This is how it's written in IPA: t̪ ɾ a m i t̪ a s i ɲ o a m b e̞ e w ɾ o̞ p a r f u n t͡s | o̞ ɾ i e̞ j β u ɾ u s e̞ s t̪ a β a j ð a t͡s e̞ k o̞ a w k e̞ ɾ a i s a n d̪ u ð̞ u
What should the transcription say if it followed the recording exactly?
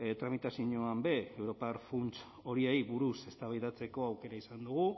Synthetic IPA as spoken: t̪ ɾ a m i t̪ a s i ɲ o a m b e̞ e w ɾ o̞ p a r f u n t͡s | o̞ ɾ i e̞ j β u ɾ u s e̞ s t̪ a β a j ð a t͡s e̞ k o̞ a w k e̞ ɾ a i s a n d̪ u ɣ̞ u